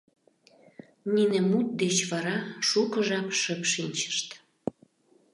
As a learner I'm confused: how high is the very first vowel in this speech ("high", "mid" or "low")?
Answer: high